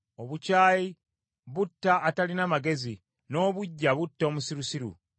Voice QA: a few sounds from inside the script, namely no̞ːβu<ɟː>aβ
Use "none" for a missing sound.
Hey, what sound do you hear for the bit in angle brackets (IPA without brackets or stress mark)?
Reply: ɟː